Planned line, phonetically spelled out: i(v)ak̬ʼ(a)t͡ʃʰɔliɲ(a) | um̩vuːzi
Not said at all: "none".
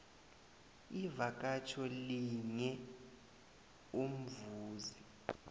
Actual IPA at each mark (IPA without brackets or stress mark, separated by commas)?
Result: v, a, ɛ